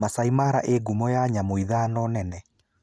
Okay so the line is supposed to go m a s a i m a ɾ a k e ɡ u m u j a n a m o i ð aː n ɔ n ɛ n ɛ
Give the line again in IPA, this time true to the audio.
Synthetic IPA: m a s a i m a ɾ a ʔ e ɡ u m ɔ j a ɲ a m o i ð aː n ɔ n ɛ n ɛ